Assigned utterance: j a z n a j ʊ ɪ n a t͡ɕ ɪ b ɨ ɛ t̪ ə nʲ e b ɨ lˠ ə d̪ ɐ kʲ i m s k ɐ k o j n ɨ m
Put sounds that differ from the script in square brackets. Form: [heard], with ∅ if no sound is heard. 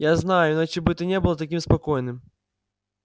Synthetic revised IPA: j a z n a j ʊ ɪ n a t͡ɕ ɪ b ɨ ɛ t̪ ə nʲ e b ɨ lˠ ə [t̪] ɐ kʲ i m s [p] ɐ k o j n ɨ m